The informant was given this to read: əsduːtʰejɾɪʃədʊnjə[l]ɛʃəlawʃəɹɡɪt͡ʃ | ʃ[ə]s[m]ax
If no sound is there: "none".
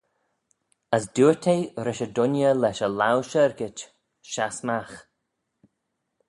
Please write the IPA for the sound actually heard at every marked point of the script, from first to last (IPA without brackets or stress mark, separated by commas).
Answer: l, a, m